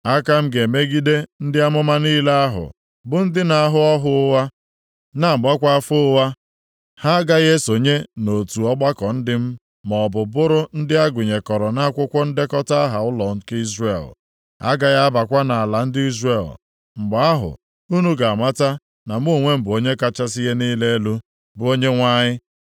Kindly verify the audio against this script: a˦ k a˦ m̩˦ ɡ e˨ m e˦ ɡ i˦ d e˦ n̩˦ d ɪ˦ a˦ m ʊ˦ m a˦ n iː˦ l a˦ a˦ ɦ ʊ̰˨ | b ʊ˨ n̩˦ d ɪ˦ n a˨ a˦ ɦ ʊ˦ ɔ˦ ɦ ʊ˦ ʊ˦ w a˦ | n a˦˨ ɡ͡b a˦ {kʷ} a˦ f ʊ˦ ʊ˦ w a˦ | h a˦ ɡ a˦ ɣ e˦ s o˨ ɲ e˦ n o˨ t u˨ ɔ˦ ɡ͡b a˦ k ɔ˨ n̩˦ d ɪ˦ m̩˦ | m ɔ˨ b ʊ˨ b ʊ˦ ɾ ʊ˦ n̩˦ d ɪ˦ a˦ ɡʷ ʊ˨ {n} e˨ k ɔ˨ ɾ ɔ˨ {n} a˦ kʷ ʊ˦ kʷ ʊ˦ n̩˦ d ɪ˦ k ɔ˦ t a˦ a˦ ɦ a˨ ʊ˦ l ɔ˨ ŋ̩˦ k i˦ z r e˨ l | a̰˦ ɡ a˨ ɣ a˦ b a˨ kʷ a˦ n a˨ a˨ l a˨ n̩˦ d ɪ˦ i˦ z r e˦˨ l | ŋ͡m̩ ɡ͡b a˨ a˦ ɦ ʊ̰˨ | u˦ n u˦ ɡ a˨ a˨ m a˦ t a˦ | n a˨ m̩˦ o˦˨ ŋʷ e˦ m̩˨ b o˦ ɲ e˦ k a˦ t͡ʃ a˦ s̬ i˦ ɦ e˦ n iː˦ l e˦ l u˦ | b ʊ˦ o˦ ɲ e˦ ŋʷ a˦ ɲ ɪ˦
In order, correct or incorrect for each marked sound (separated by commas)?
correct, incorrect, correct